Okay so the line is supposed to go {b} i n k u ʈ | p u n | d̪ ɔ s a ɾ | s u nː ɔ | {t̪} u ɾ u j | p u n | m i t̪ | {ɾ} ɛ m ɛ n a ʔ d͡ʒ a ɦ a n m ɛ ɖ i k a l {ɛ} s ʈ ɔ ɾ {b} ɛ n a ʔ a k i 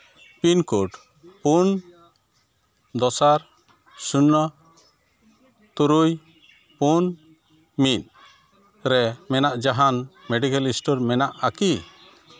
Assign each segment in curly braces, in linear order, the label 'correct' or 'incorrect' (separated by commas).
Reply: incorrect, correct, correct, incorrect, incorrect